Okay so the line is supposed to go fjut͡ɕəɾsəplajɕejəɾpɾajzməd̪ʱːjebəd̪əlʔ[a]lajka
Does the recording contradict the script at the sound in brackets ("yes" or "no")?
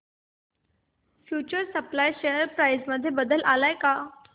no